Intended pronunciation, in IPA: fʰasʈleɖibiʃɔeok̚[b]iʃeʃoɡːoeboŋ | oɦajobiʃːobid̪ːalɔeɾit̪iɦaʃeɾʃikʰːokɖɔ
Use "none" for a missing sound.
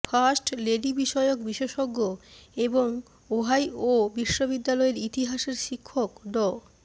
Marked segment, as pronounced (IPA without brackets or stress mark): b